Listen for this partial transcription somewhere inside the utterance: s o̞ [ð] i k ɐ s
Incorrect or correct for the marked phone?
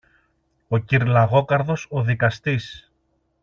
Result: correct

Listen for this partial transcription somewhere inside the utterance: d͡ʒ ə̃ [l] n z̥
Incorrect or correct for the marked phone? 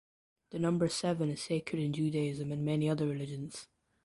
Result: incorrect: none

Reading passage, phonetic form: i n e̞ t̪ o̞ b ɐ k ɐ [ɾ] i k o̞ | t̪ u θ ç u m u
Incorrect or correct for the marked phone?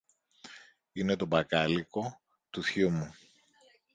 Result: incorrect: l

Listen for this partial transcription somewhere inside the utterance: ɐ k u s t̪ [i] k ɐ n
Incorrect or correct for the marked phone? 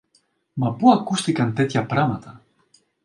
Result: correct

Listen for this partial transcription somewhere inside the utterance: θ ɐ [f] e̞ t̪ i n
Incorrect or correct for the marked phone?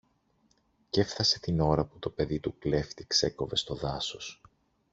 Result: incorrect: s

